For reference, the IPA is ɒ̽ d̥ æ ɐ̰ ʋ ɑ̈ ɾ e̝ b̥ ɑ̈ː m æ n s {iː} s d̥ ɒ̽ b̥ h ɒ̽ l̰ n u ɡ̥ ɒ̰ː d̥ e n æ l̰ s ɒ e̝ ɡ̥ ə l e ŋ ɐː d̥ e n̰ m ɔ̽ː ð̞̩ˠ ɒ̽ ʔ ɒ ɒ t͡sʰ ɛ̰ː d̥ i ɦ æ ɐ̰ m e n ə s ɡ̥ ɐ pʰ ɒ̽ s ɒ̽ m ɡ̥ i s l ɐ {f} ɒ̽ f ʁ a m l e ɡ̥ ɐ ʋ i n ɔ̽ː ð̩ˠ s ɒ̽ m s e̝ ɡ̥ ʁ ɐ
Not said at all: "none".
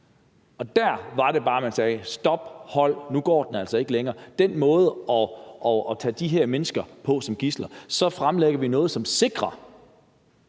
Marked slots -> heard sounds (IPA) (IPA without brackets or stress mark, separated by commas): ɛː, s